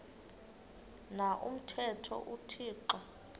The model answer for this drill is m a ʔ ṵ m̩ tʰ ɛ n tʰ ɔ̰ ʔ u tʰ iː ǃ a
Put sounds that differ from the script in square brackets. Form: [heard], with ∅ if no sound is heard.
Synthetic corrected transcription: [n] a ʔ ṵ m̩ tʰ ɛ [∅] tʰ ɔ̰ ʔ u tʰ iː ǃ a